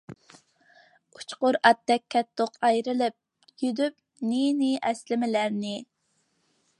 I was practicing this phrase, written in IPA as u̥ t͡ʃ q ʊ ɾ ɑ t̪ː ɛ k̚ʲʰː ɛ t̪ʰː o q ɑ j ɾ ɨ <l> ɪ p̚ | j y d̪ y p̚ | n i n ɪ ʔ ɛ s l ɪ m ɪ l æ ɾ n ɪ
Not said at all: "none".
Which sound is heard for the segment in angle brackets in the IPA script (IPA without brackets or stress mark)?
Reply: l